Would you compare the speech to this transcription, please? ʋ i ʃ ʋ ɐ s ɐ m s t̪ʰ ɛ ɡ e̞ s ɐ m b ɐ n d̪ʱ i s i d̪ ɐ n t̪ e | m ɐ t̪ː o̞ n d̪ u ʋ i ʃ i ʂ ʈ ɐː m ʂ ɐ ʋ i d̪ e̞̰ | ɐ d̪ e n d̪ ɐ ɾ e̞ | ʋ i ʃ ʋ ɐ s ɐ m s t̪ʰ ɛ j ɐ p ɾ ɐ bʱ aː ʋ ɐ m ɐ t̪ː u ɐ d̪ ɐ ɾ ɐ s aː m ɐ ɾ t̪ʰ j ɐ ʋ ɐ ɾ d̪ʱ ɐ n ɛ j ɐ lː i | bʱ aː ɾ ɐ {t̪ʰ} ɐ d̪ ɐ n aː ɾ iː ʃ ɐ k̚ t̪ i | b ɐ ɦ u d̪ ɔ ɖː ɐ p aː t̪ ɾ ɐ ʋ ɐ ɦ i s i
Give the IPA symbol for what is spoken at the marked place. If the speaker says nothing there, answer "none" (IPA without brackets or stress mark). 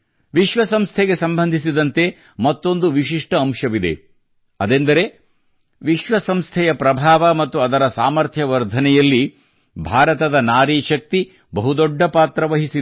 t̪